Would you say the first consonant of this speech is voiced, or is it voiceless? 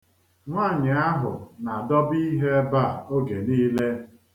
voiced